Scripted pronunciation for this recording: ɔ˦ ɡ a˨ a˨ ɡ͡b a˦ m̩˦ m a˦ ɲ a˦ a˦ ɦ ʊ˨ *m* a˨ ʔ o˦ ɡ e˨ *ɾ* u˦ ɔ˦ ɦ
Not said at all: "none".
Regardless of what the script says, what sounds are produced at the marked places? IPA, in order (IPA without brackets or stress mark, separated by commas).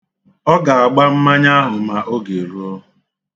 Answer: m, ɾ